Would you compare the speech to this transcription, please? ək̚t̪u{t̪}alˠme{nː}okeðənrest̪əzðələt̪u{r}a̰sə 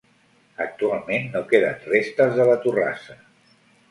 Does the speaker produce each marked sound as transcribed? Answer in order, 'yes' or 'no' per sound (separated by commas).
no, yes, yes